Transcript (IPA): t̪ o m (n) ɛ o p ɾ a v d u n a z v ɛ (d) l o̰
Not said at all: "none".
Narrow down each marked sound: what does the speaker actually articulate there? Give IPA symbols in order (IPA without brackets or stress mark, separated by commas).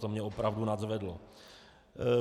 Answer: ɲ, d